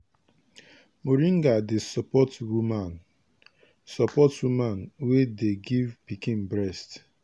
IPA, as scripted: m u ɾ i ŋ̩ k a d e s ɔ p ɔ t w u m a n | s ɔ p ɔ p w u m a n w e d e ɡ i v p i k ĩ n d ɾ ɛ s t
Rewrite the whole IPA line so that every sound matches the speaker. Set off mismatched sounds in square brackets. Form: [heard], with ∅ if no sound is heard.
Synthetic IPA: m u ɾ i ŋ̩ [ɡ] a d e s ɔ p ɔ t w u m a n | s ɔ p ɔ [t] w u m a n w e d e ɡ i v p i k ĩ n [b] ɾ ɛ s t